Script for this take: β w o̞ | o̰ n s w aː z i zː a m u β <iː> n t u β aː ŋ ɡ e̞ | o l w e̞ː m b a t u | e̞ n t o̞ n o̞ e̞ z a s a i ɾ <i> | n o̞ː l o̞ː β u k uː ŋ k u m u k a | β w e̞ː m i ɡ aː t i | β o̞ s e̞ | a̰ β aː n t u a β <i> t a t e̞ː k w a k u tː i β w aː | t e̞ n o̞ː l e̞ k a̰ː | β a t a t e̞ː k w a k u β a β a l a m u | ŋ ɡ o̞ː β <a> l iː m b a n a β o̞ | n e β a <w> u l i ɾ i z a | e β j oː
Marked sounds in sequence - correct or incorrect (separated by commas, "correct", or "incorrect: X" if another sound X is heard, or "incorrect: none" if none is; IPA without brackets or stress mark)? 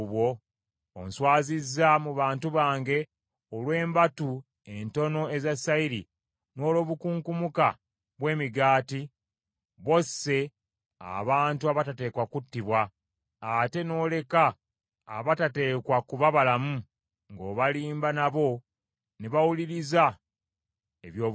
incorrect: aː, correct, incorrect: a, correct, correct